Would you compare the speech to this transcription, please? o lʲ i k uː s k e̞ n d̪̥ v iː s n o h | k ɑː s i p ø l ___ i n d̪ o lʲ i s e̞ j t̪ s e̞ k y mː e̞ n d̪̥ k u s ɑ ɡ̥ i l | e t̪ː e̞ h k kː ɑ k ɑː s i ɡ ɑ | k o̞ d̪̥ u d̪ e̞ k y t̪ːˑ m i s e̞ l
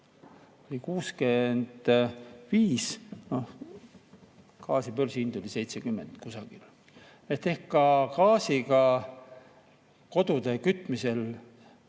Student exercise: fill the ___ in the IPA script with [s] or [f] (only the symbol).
s